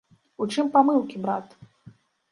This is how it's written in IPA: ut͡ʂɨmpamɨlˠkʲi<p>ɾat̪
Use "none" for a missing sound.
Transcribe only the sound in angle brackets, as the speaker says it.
b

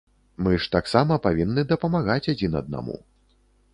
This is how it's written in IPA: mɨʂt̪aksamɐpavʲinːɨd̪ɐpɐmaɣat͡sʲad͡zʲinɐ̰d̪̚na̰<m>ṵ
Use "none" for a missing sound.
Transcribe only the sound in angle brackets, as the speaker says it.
m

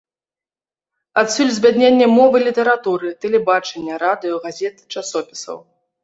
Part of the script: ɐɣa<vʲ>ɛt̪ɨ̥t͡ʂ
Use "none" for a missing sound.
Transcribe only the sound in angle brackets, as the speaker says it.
zʲ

